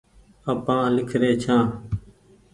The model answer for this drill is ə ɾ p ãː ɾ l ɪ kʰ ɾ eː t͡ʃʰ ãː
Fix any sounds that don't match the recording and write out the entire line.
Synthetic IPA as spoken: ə p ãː l ɪ kʰ ɾ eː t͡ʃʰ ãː